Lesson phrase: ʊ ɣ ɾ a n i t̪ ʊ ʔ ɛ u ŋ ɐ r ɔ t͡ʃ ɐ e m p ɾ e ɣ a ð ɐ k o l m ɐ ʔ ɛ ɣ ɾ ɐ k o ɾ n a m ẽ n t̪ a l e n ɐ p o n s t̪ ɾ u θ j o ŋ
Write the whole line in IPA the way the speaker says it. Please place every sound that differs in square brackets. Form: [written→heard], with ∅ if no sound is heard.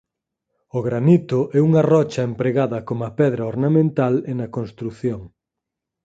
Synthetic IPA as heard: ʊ ɣ ɾ a n i t̪ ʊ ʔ ɛ u ŋ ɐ r ɔ t͡ʃ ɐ e m p ɾ e ɣ a ð ɐ k o [l→∅] m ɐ [ʔ→p] ɛ [ɣ→ð] ɾ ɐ [k→∅] o ɾ n a m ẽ n t̪ a l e n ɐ [p→k] o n s t̪ ɾ u θ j o ŋ